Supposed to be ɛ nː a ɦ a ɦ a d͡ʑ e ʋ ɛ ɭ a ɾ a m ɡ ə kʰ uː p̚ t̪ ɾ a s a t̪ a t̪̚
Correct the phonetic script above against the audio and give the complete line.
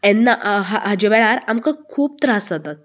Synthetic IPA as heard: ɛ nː a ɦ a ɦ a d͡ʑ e ʋ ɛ ɭ a ɾ a m k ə kʰ uː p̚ t̪ ɾ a s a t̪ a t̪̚

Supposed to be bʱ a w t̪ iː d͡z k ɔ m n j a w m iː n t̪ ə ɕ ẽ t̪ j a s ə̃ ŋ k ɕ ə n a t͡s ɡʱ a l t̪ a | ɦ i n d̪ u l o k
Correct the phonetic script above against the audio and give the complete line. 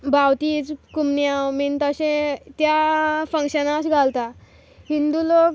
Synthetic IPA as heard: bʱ a w t̪ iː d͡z k u m n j a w m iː n t̪ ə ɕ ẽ t̪ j a f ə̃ ŋ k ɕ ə n a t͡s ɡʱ a l t̪ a | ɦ i n d̪ u l o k

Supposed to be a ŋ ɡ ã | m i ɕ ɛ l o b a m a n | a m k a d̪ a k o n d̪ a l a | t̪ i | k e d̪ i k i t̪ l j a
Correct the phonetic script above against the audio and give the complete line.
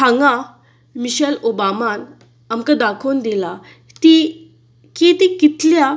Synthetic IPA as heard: a ŋ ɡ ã | m i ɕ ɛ l o b a m a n | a m k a d̪ a kʰ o n d̪ i l a | t̪ i | k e t̪ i k i t̪ l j a

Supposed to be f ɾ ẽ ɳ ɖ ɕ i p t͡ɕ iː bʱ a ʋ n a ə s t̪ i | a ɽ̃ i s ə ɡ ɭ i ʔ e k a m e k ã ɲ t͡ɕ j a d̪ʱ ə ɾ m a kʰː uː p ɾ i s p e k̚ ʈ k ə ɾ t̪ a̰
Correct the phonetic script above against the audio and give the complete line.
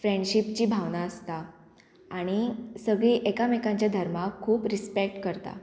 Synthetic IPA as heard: f ɾ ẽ ɳ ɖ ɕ i p t͡ɕ iː bʱ a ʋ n a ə s t̪ a | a ɽ̃ i s ə ɡ ɭ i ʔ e k a m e k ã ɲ t͡ɕ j a d̪ʱ ə ɾ m a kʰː uː p ɾ i s p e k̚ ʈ k ə ɾ t̪ a̰

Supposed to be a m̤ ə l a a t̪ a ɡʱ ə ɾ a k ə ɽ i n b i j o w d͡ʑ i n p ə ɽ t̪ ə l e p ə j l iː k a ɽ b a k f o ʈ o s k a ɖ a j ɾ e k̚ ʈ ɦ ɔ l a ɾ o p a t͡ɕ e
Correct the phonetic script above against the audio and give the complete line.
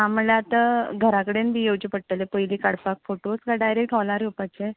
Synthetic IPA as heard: a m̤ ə l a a t̪ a ɡʱ ə ɾ a k ə ɽ e n b i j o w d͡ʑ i p ə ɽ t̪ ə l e p ə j l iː k a ɽ p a k f o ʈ o s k a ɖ a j ɾ e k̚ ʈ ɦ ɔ l a ɾ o p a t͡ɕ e

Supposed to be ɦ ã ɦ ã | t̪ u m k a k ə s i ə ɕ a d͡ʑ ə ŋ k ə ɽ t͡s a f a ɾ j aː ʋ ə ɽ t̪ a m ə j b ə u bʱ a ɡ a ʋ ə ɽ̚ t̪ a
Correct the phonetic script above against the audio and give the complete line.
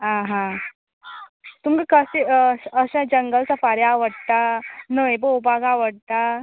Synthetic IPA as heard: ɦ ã ɦ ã | t̪ u m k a k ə s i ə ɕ a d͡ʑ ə ŋ ɡ ə l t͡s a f a ɾ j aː ʋ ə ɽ t̪ a n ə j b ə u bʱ a ɡ a ʋ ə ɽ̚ t̪ a

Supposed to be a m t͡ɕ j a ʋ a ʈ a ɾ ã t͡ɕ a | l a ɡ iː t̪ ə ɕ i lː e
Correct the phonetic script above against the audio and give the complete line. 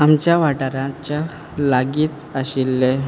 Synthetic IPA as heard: a m t͡ɕ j a ʋ a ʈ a ɾ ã t͡ɕ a | l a ɡ iː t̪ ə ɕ i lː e

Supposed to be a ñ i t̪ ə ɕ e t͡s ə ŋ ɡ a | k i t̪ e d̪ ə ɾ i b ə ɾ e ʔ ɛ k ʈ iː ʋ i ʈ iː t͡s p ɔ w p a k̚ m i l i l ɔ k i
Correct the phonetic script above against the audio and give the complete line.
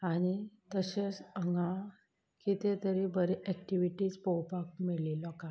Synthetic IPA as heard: a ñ i t̪ ə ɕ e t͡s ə ŋ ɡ a | k i t̪ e t̪ ə ɾ i b ə ɾ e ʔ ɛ k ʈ i ʋ i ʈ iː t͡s p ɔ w p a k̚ m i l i l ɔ k a

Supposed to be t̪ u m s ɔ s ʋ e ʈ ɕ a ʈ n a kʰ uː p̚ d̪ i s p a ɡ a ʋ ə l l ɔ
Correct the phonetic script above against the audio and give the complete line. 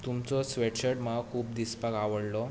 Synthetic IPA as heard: t̪ u m t͡s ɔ s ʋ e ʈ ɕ ə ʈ m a kʰ uː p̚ d̪ i s p a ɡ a ʋ ə ɽ l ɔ

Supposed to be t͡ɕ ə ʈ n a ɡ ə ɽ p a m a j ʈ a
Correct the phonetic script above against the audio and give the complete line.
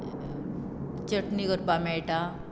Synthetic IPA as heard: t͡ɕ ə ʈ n i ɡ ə ɾ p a m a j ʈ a

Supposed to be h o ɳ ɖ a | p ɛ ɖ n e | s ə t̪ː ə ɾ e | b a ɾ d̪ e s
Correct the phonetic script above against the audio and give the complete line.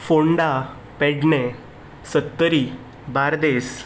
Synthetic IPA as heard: f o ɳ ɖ a | p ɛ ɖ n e | s ə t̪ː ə ɾ i | b a ɾ d̪ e s

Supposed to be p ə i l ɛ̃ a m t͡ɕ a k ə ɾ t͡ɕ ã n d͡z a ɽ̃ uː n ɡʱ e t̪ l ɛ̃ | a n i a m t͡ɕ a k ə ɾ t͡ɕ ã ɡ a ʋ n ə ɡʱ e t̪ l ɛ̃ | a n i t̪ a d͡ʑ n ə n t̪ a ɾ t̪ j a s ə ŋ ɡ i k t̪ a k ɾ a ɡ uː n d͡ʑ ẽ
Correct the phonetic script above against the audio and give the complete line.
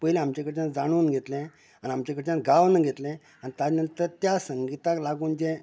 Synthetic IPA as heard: p ə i l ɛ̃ a m t͡ɕ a k ə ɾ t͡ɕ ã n d͡z a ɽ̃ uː n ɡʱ e t̪ l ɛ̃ | a n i a m t͡ɕ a k ə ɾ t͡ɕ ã ɡ a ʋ n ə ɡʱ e t̪ l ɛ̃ | a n i t̪ a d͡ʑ n ə n t̪ ə ɾ t̪ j a s ə ŋ ɡ i t̪ a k l a ɡ uː n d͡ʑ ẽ

